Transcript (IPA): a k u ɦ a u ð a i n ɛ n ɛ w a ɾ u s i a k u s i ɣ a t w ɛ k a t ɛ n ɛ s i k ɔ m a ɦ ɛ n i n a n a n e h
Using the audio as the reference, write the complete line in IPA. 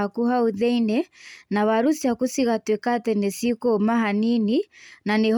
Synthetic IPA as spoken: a k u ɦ a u ð ɛ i n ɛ n a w a ɾ u s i a k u s i ɣ a t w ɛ k a t ɛ n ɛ s i k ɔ m a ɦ a n i n i n a n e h